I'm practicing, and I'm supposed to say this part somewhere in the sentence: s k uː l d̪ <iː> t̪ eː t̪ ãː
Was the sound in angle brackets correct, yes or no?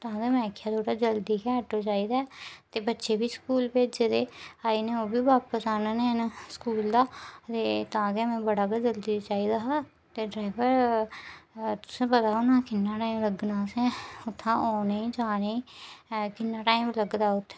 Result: no